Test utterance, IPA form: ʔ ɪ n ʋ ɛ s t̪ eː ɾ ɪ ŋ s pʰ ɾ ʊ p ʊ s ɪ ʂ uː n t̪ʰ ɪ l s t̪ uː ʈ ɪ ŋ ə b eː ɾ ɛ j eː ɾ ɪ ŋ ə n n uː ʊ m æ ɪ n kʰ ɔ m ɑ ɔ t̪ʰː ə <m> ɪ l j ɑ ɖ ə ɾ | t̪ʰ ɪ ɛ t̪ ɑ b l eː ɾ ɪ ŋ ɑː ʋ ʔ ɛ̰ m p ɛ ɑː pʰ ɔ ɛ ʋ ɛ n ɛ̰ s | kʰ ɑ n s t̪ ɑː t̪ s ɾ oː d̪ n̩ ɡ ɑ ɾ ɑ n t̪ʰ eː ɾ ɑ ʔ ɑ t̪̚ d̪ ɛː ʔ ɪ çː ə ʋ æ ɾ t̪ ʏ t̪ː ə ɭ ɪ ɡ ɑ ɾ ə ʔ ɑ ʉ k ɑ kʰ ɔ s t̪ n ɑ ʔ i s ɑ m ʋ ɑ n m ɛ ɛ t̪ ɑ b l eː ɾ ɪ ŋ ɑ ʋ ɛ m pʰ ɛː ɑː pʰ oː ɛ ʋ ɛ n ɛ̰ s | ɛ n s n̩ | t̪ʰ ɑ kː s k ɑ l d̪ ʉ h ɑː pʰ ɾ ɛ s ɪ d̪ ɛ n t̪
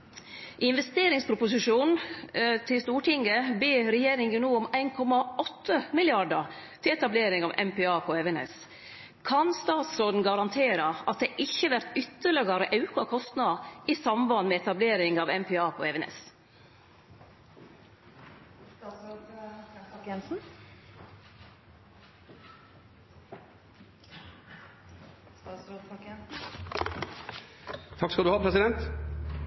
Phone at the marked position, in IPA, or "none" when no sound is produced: m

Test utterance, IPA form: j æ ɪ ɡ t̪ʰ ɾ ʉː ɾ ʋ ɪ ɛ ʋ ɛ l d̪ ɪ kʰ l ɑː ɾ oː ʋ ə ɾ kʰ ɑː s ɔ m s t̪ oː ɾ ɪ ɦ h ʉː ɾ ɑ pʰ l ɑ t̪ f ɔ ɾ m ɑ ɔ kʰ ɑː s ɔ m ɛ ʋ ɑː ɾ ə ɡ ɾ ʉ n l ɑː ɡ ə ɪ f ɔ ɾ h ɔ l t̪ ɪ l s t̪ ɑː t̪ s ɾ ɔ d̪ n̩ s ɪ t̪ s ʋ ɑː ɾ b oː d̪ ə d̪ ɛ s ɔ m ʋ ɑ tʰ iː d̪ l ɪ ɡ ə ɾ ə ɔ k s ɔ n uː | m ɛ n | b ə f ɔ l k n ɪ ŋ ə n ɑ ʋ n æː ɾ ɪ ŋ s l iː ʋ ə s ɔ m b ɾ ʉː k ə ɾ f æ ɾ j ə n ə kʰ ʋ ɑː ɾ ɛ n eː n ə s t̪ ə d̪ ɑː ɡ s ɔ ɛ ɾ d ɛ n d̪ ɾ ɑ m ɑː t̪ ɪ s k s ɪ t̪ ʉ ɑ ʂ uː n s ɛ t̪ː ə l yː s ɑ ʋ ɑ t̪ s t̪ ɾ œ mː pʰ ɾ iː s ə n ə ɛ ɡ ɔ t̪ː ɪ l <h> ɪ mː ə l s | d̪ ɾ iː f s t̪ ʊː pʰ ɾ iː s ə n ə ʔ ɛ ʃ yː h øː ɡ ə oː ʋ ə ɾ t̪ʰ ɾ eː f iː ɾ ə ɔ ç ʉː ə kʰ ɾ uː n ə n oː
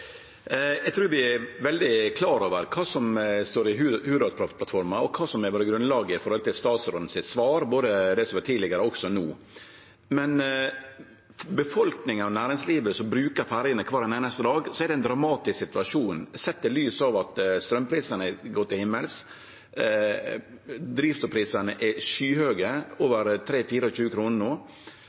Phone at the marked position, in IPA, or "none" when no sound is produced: h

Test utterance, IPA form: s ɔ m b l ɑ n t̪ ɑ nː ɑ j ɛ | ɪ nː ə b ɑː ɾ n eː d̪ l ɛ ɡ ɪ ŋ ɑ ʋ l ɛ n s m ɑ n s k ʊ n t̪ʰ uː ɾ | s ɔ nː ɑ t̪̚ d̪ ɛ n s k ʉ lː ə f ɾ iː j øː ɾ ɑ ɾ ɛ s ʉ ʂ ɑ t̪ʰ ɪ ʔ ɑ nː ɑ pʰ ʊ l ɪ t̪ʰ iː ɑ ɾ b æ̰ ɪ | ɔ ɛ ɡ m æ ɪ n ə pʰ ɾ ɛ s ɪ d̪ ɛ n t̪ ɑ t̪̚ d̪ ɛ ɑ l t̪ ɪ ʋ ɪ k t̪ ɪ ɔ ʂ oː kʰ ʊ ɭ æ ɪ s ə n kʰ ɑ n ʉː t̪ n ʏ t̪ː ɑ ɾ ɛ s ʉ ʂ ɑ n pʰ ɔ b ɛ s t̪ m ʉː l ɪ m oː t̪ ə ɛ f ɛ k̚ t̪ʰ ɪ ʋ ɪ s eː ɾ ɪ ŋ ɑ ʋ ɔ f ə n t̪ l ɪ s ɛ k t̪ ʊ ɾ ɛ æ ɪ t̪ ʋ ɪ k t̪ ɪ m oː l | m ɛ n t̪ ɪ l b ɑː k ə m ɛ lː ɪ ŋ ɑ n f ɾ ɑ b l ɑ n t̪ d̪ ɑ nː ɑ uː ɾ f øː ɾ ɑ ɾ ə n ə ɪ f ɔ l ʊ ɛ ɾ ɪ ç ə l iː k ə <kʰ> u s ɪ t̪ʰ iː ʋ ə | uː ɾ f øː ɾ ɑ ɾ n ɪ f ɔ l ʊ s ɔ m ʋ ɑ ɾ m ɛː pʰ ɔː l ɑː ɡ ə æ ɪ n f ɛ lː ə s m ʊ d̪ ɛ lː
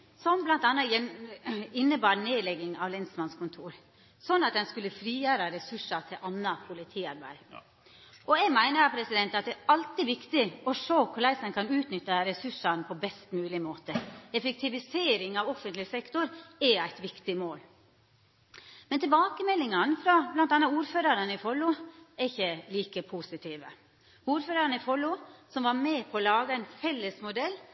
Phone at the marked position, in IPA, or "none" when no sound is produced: pʰ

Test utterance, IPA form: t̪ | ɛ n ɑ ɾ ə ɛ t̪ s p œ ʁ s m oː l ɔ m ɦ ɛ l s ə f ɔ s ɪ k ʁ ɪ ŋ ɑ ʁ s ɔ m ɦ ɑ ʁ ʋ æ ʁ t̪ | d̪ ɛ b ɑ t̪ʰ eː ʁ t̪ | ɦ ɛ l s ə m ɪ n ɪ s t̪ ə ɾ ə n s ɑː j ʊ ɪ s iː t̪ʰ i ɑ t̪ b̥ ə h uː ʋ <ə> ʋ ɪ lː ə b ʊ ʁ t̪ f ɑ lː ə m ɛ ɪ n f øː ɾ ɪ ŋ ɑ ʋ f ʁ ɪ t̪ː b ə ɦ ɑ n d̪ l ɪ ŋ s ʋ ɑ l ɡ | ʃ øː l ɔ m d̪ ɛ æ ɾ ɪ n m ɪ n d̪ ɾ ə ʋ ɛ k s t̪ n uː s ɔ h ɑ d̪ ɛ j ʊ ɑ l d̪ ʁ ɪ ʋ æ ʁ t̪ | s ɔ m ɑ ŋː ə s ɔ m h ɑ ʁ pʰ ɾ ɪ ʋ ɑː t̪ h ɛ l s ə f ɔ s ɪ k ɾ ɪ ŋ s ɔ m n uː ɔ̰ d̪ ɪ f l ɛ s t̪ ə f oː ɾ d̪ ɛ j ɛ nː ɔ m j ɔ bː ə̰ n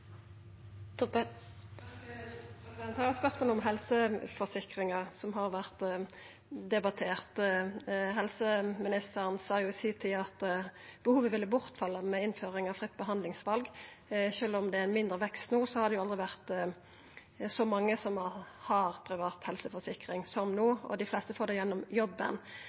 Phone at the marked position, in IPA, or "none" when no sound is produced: ə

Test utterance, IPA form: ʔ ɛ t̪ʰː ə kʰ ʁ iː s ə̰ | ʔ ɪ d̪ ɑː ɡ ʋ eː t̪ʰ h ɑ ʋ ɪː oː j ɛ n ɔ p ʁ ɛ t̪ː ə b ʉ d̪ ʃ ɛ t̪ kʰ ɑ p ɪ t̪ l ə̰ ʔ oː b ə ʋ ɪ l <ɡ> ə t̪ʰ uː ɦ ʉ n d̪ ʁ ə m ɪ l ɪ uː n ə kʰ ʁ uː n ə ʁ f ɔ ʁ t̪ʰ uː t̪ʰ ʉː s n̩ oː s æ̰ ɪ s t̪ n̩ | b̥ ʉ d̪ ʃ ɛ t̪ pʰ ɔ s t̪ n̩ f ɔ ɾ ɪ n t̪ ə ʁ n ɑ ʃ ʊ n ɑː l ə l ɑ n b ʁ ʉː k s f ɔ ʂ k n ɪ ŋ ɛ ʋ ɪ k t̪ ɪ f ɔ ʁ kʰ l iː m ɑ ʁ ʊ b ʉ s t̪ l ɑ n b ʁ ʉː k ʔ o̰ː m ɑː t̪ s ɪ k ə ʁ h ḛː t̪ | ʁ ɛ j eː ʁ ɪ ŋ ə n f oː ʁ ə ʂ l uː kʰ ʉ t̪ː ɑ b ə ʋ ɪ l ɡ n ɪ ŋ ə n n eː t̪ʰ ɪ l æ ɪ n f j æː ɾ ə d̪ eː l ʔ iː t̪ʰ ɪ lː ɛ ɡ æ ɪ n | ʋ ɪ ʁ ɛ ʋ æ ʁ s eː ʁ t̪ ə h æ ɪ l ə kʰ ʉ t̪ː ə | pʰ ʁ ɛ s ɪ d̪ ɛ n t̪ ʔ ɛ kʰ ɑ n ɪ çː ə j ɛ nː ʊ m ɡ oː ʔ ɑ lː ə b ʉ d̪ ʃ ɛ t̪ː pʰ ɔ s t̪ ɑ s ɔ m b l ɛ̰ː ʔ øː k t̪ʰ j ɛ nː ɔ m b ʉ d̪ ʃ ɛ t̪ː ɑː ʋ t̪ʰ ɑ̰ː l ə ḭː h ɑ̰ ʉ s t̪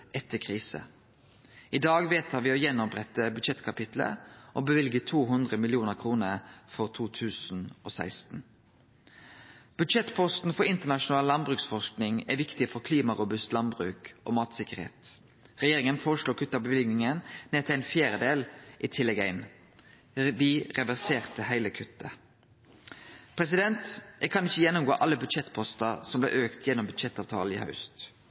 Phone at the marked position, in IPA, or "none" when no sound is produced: ɡ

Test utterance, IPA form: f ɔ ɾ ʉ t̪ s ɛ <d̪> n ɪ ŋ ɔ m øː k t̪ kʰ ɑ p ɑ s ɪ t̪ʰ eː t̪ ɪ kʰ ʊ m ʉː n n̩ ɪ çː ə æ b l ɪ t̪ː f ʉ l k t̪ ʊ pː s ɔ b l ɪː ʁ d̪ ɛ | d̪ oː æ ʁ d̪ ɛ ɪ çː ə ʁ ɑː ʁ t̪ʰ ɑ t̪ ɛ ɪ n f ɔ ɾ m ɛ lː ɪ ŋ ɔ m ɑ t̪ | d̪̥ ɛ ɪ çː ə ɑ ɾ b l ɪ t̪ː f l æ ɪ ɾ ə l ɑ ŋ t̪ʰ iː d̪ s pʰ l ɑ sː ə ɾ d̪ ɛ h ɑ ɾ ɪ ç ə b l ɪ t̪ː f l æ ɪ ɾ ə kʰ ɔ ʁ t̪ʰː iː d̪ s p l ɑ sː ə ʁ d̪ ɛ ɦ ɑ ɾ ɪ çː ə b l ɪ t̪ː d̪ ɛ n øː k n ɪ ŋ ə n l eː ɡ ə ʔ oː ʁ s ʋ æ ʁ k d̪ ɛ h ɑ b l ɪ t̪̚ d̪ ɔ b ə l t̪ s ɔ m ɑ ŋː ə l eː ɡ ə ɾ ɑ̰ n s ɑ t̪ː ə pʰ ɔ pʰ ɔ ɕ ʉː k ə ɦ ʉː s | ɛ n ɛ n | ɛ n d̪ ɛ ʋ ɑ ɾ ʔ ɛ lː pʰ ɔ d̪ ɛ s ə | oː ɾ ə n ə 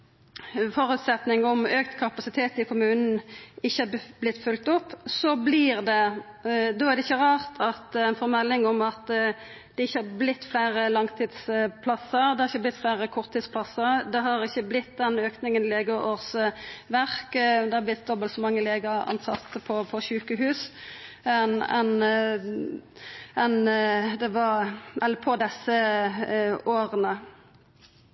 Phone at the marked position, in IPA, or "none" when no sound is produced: t̪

